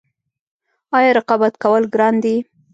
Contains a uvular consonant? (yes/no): yes